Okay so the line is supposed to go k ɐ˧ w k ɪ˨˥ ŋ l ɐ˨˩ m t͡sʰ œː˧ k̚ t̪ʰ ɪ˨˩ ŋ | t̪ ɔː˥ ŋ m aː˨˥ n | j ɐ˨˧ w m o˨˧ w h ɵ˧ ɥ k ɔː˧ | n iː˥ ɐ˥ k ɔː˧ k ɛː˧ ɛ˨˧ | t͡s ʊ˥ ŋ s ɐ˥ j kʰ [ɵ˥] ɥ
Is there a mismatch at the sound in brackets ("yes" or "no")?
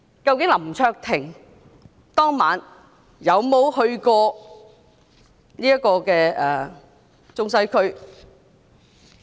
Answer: no